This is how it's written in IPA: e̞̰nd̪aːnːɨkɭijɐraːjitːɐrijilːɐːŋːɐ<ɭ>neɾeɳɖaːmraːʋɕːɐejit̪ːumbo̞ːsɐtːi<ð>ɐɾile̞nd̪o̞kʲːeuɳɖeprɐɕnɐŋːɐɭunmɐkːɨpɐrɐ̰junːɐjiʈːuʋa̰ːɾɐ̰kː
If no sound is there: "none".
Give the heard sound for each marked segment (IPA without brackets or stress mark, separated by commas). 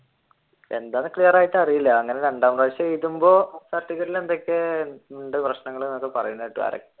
none, ɣ